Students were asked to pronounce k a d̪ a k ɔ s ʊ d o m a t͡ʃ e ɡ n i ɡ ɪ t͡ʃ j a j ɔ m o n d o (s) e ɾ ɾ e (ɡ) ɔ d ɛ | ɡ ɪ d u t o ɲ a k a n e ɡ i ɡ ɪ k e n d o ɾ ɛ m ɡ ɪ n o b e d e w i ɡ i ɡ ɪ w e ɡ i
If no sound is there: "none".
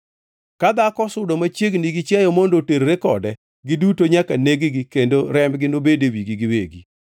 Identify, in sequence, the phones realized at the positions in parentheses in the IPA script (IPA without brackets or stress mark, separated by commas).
t, k